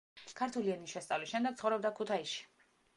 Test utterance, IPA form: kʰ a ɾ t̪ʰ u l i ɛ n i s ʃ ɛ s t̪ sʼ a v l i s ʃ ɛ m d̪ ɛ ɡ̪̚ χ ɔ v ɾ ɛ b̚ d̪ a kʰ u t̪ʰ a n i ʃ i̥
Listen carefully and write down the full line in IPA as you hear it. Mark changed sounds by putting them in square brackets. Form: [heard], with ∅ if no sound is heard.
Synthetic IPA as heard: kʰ a ɾ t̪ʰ u l i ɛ n i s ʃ ɛ s t̪ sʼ a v l i s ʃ ɛ m d̪ ɛ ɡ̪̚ χ ɔ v ɾ ɛ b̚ d̪ a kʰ u t̪ʰ a [∅] i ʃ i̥